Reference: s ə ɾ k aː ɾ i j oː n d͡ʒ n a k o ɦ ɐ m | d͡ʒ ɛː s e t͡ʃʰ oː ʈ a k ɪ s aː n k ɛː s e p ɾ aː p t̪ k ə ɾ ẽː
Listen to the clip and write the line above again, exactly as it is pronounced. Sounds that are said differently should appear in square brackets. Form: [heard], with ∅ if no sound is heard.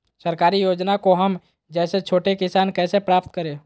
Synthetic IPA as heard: s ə ɾ k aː ɾ i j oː [∅] d͡ʒ n a k o ɦ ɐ m | d͡ʒ ɛː s e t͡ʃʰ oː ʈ [e] k ɪ s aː n k ɛː s e p ɾ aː p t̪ k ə ɾ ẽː